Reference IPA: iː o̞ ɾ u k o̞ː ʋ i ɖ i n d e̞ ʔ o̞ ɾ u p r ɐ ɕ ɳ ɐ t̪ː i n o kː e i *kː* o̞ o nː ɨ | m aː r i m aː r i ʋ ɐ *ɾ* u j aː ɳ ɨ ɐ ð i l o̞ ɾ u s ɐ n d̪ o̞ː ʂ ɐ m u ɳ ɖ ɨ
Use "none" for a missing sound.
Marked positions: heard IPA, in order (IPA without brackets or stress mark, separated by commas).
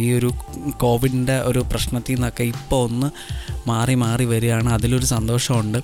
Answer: pː, ɾ